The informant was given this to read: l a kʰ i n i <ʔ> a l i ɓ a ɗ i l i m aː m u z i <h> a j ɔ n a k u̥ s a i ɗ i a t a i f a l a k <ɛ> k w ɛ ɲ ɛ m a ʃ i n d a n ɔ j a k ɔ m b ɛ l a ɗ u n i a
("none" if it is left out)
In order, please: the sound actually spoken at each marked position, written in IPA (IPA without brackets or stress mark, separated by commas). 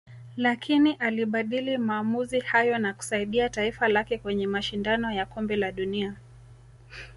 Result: ʔ, h, ɛ